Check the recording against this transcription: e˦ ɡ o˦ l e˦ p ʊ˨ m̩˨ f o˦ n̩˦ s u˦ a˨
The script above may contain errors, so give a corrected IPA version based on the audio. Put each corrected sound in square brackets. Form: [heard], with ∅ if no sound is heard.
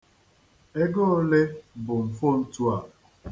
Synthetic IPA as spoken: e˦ ɡ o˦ l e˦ [b] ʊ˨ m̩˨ f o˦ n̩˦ [t] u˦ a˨